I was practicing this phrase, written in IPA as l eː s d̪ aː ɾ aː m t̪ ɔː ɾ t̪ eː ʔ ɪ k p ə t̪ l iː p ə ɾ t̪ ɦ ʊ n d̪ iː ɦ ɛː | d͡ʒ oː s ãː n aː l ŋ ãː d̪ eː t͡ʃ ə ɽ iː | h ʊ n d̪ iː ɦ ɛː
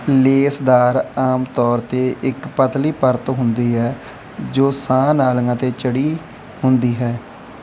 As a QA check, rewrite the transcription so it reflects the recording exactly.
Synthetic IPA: l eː s d̪ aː ɾ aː m t̪ ɔː ɾ t̪ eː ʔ ɪ k p ə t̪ l iː p ə ɾ t̪ ɦ ʊ n d̪ iː ɦ ɛː | d͡ʒ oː s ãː n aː l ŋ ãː t̪ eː t͡ʃ ə ɽ iː | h ʊ n d̪ iː ɦ ɛː

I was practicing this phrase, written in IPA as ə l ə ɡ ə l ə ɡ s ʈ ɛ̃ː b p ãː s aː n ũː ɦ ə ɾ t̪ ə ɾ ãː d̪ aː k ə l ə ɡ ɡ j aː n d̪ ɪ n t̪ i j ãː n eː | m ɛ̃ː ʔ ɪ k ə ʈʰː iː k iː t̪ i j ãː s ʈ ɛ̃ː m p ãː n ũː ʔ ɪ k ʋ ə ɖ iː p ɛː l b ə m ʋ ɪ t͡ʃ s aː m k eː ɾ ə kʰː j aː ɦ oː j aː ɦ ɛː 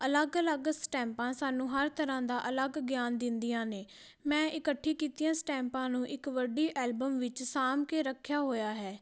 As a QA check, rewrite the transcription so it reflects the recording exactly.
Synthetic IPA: ə l ə ɡ ə l ə ɡ s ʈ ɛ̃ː m p ãː s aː n ũː ɦ ə ɾ t̪ ə ɾ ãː d̪ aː ʔ ə l ə ɡ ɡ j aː n d̪ ɪ n d̪ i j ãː n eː | m ɛ̃ː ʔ ɪ k ə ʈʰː iː k iː t̪ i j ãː s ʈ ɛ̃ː m p ãː n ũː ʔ ɪ k ʋ ə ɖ iː ʔ ɛː l b ə m ʋ ɪ t͡ʃ s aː m k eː ɾ ə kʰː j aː ɦ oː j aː ɦ ɛː

